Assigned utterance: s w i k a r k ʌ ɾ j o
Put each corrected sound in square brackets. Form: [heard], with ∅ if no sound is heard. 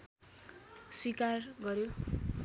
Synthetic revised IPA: s w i k a r [ɡ] ʌ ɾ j o